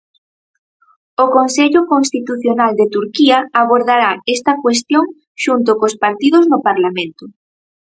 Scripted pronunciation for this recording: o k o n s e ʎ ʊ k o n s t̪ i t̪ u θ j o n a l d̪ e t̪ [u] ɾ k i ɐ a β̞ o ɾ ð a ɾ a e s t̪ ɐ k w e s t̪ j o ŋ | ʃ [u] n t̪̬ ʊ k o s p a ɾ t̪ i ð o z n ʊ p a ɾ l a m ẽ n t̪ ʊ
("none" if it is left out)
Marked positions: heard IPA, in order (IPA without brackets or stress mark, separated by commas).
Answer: u, u